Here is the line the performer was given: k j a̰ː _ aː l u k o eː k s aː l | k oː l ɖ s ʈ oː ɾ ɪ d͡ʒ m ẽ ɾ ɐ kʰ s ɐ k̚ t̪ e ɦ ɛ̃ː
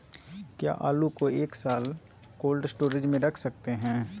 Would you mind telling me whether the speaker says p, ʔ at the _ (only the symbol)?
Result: ʔ